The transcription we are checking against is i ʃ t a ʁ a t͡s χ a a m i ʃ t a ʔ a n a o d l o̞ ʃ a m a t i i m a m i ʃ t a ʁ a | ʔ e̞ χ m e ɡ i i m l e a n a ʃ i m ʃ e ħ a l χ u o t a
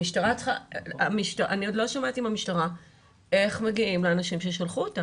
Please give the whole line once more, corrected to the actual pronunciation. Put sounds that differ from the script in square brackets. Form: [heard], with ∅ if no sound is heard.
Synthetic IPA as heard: i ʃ t a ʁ a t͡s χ a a m i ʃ t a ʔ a n [i] o d l o̞ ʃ a m a t i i m a m i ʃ t a ʁ a | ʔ e̞ χ m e ɡ i i m l e a n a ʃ i m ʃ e [ʃ] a l χ u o t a